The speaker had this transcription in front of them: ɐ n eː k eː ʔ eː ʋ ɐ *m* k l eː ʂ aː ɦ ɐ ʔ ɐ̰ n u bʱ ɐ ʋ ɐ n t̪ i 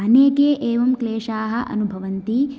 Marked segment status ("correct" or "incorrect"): correct